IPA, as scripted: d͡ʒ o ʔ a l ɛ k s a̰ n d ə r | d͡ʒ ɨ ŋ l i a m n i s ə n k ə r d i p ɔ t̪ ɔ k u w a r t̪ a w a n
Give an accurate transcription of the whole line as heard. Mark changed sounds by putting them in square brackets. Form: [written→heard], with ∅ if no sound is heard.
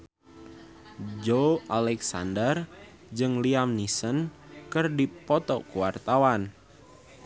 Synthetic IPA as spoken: d͡ʒ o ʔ a l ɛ k s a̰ n d ə r | d͡ʒ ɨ ŋ l i a m n i s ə n k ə r d i p ɔ t̪ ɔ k u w a r t̪ a w a n